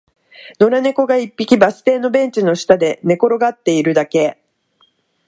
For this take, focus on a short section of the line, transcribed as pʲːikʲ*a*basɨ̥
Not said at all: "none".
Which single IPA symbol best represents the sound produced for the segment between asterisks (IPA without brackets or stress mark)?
i